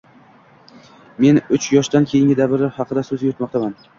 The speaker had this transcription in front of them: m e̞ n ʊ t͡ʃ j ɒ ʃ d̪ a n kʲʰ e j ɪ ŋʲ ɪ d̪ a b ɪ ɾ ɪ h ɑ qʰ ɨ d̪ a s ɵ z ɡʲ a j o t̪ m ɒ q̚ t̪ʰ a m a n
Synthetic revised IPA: m e̞ n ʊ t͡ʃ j ɒ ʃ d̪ a n kʲʰ e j ɪ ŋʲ ɪ d̪ a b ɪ ɾ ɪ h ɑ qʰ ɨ d̪ a s ɵ z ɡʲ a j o t̪ m ɒ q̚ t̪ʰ a m a n